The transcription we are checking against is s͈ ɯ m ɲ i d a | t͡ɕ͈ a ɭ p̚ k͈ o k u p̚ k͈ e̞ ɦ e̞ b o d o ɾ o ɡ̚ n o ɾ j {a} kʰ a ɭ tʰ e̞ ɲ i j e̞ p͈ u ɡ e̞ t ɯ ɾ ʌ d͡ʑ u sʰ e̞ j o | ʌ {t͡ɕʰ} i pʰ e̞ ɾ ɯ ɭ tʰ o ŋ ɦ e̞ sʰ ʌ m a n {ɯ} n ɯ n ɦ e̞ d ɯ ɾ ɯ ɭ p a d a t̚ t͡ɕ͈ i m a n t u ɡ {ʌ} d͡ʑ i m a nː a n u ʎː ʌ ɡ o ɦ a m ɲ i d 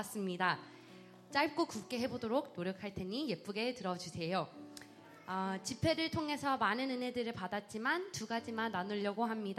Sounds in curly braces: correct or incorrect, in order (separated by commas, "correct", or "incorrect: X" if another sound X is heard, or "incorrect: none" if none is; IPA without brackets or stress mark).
incorrect: ʌ, incorrect: t͡ɕ, correct, incorrect: a